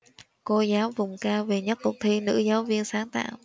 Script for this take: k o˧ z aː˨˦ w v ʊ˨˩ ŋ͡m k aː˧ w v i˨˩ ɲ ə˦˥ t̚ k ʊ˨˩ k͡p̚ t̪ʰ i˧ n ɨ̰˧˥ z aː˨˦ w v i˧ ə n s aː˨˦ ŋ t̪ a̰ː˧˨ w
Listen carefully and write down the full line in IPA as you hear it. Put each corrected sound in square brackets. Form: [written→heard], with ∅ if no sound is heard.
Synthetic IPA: k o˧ z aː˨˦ w v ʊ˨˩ ŋ͡m k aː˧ w v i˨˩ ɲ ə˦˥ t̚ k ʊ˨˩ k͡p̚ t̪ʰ i˧ n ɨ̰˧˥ z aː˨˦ w v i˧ ə n s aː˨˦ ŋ t̪ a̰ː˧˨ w